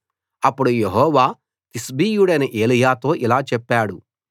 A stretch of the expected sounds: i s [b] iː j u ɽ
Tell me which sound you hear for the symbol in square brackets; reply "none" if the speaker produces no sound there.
b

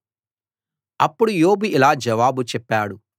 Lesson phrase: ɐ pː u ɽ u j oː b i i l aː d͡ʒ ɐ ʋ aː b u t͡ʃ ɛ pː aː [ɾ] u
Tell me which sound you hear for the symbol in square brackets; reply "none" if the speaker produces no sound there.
ɽ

